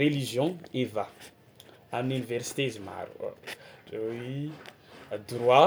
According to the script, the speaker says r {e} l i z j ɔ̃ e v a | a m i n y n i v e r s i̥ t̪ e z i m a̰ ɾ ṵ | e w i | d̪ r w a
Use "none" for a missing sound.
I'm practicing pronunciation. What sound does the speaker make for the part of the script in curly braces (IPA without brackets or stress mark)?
e